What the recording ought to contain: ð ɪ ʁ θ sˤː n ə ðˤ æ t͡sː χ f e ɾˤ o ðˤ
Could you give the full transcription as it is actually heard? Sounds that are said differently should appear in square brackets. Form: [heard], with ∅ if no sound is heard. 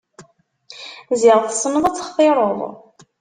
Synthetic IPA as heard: [z] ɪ ʁ θ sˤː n ə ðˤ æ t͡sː χ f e ɾˤ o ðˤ